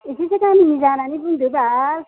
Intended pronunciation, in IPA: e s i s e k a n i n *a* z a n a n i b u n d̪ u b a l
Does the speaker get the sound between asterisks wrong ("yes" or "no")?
yes